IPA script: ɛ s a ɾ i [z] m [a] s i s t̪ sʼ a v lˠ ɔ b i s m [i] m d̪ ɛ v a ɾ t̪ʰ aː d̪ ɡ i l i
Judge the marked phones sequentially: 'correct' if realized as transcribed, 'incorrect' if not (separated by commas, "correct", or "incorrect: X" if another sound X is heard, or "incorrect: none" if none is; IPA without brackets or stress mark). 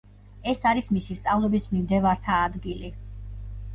incorrect: s, incorrect: i, correct